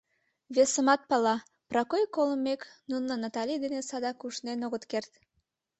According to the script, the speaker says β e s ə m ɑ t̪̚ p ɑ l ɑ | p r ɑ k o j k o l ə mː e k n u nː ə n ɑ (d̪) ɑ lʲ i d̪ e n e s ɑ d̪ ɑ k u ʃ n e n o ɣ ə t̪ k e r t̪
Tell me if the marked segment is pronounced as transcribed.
no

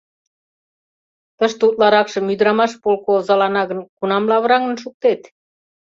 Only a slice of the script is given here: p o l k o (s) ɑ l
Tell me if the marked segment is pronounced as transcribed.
no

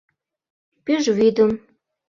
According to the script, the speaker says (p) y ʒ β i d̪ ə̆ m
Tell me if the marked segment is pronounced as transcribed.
yes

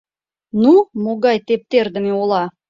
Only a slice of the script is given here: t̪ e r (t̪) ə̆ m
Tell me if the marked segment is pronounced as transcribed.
no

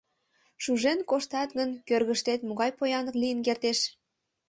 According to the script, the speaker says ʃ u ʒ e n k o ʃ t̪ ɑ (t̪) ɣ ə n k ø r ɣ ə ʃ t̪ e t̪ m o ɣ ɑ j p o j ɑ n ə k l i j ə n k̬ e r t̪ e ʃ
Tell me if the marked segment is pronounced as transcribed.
yes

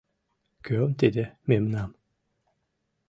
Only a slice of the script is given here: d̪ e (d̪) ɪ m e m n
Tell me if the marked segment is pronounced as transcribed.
yes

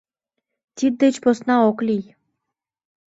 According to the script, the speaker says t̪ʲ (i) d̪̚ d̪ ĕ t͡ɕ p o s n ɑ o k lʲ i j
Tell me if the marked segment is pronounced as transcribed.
yes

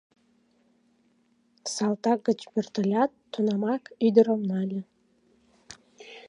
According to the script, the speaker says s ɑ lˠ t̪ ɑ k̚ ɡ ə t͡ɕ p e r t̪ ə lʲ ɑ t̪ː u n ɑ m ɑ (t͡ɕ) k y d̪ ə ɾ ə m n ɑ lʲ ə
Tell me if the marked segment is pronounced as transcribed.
no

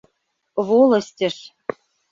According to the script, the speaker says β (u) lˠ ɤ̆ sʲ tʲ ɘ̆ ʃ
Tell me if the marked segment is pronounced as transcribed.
no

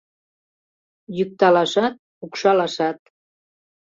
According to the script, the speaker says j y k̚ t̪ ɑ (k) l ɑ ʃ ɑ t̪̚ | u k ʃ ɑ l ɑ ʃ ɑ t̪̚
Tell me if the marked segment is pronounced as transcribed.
no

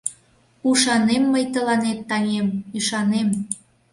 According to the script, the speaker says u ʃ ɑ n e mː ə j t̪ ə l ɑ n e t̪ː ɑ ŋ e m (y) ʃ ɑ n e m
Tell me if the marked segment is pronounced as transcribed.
yes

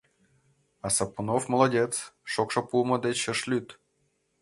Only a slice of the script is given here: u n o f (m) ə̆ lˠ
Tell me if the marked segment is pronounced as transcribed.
yes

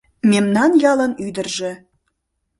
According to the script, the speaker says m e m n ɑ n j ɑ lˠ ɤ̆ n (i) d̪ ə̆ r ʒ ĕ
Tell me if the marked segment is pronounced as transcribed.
no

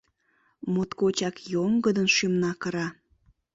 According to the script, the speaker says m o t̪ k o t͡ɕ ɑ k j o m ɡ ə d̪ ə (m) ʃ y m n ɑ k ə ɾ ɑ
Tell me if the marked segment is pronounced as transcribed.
no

